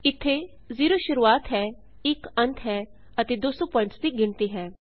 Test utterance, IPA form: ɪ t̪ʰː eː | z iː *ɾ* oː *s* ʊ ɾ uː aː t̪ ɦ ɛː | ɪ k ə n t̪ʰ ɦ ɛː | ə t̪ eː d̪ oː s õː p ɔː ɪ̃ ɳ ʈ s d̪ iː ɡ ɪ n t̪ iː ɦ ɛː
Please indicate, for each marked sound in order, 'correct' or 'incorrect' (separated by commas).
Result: correct, incorrect